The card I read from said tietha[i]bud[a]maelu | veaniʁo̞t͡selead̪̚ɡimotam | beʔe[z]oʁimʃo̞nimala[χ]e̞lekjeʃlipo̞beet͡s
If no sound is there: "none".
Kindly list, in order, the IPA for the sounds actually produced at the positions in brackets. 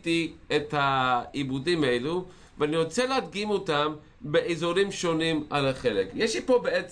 i, i, z, χ

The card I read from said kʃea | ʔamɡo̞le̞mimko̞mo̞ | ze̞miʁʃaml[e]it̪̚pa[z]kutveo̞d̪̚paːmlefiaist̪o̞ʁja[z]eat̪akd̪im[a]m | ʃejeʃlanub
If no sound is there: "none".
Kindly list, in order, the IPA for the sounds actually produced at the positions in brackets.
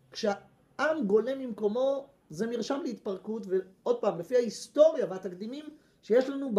e, ʁ, v, i

